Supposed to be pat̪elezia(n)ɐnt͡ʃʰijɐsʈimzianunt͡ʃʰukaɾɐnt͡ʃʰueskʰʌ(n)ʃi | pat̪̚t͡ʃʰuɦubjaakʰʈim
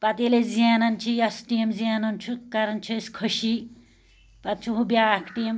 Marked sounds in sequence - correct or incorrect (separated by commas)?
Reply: correct, incorrect